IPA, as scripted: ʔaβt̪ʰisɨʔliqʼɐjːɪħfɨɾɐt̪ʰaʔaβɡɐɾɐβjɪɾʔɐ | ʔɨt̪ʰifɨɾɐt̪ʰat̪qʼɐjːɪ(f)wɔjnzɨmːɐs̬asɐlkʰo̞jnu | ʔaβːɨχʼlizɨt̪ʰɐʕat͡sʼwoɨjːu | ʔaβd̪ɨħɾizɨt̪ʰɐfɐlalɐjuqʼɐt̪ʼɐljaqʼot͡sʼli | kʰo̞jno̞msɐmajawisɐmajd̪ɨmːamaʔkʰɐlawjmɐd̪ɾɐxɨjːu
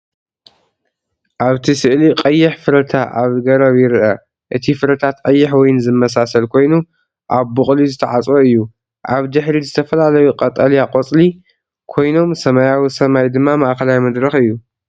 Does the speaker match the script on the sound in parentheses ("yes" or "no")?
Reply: no